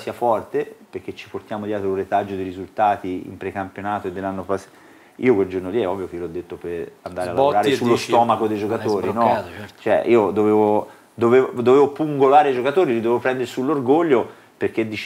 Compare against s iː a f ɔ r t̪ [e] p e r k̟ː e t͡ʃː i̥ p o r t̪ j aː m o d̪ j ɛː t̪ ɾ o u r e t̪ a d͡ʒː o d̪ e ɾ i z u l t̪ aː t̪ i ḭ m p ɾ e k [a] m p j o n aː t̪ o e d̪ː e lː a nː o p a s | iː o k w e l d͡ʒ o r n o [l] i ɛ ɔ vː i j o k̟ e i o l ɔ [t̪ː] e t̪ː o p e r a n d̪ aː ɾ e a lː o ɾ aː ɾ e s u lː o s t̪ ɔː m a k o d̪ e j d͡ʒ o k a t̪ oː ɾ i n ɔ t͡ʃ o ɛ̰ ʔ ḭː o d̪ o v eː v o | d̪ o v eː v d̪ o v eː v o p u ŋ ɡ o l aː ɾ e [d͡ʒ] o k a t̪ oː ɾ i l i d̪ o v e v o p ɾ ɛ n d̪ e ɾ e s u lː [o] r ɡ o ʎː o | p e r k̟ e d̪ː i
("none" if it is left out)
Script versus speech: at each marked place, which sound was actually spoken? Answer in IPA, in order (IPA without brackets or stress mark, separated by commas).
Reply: e, a, l, d̪ː, d͡ʒ, o